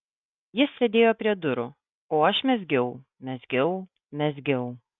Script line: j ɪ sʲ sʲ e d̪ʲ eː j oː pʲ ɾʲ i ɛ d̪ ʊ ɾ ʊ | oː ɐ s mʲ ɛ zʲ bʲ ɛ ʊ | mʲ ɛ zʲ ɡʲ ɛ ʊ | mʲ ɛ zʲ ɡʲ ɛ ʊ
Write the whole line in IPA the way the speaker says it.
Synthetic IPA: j ɪ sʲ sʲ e d̪ʲ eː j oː pʲ ɾʲ i ɛ d̪ ʊ ɾ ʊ | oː ɐ ʃ mʲ ɛ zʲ ɡʲ ɛ ʊ | mʲ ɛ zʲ ɡʲ ɛ ʊ | mʲ ɛ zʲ ɡʲ ɛ ʊ